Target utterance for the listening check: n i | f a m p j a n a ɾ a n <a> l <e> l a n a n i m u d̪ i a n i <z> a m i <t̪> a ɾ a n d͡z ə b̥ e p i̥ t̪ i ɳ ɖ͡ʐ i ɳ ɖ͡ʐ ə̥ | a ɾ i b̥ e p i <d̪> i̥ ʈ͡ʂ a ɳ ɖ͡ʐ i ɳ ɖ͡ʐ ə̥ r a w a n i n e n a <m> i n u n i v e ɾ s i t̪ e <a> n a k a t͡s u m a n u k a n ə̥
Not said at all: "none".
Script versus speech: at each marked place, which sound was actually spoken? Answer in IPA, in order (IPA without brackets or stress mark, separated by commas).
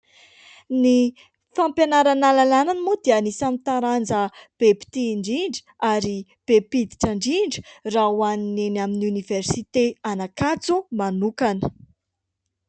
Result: a, a, s, t̪, d̪, m, a